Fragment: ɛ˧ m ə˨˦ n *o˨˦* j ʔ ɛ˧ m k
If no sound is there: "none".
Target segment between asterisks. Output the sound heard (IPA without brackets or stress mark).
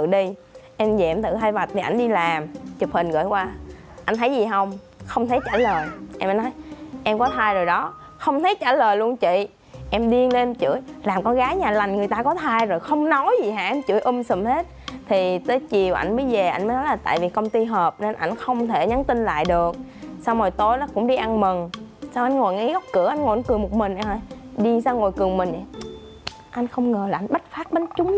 ɔ˨˦